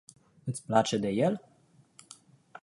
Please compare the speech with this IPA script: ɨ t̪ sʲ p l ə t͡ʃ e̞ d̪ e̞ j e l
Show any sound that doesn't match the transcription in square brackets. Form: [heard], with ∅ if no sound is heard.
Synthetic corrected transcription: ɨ t̪ sʲ p l [a] t͡ʃ e̞ d̪ e̞ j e l